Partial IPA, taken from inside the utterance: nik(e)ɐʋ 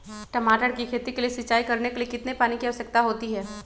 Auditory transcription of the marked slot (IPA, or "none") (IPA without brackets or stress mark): i